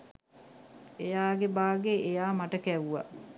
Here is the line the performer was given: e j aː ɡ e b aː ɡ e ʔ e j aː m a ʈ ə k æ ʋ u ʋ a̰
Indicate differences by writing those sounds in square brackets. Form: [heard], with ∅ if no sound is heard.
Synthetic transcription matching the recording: e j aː ɡ e b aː ɡ e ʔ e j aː m a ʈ ə k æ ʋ u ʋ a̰